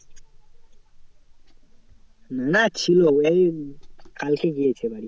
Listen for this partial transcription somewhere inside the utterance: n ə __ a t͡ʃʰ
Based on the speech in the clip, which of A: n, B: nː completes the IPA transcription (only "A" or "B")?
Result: A